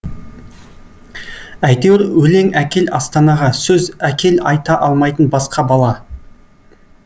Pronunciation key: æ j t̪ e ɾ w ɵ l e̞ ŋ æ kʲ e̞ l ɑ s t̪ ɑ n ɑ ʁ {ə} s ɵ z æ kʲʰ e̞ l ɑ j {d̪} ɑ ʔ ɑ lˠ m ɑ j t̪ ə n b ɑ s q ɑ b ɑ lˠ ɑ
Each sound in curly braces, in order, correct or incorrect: incorrect, incorrect

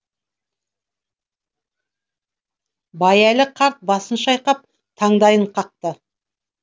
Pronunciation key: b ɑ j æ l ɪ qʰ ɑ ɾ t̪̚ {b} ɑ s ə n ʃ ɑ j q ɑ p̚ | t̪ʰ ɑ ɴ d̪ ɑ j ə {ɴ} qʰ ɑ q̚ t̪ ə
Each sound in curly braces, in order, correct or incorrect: correct, correct

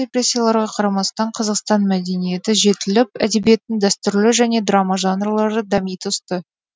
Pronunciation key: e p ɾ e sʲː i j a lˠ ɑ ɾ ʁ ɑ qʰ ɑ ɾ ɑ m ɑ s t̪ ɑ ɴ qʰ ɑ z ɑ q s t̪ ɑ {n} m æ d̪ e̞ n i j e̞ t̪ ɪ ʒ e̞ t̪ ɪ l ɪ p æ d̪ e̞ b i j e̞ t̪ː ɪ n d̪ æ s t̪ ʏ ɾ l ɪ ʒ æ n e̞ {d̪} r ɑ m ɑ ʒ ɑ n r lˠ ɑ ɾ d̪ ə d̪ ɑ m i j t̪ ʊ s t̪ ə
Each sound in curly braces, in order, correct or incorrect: correct, correct

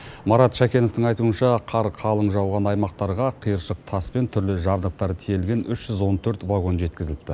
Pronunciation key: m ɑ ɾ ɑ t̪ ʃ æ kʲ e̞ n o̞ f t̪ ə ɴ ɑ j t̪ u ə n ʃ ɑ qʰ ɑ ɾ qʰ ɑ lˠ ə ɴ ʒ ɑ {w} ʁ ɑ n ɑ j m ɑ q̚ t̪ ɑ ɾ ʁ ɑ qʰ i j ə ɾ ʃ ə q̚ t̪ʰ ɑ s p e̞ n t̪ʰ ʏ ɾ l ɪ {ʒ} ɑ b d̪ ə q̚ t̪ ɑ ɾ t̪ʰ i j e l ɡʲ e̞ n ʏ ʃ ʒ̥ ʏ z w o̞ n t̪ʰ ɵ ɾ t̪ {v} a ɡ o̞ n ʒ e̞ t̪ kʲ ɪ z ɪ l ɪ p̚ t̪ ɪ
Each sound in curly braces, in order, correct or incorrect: correct, correct, correct

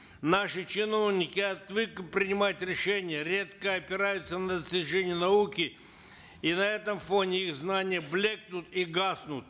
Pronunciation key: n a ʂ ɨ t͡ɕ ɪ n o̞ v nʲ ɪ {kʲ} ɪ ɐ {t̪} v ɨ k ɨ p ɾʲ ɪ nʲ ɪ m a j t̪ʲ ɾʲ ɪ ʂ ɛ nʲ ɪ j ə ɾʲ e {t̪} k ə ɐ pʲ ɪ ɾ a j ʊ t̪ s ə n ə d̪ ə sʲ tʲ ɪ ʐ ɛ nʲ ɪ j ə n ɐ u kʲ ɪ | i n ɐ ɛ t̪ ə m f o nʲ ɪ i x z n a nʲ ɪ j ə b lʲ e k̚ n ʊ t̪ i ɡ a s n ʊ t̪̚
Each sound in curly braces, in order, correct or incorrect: correct, correct, correct

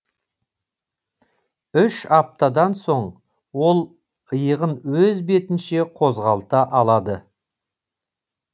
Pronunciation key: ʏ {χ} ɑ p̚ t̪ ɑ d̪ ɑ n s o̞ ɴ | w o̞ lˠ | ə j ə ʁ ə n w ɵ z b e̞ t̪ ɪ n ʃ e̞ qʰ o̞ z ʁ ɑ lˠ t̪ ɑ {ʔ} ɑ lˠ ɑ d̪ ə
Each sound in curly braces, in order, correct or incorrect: incorrect, correct

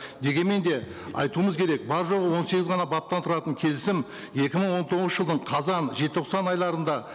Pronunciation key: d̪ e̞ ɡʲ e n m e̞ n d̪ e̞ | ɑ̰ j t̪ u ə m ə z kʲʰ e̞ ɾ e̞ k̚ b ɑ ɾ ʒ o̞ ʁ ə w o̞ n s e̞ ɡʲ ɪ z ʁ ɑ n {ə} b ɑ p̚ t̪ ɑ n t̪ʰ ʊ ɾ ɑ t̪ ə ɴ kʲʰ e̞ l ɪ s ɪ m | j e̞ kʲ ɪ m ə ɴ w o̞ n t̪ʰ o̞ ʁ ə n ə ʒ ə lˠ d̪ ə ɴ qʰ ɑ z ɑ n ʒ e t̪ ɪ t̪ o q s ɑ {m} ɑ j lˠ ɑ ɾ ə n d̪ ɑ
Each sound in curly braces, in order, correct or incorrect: incorrect, incorrect

